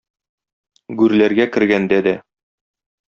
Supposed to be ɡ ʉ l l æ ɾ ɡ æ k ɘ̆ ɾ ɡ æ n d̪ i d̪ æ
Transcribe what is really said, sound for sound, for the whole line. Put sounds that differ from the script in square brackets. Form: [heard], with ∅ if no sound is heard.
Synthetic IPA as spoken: ɡ ʉ [ɾ] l æ ɾ ɡ æ k ɘ̆ ɾ ɡ æ n d̪ [æ] d̪ æ